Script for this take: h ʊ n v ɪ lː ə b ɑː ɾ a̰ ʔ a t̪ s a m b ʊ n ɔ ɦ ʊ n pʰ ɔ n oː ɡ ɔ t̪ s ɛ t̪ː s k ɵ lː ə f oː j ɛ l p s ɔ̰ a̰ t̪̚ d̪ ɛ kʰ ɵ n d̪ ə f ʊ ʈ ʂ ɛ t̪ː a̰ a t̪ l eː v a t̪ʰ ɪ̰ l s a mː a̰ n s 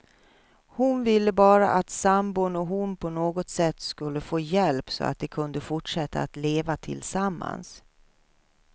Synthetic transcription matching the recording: h ʊ n v ɪ lː ə b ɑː ɾ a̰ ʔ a t̪ s a m b ʊ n ɔ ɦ ʊ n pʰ ɔ n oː ɡ ɔ t̪ s ɛ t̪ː s k ɵ lː ə f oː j ɛ l p s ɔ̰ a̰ t̪̚ d̪ ɛ kʰ ɵ n d̪ ə f ʊ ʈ ʂ ɛ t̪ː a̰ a t̪ l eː v a t̪ʰ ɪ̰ l s a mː a̰ n s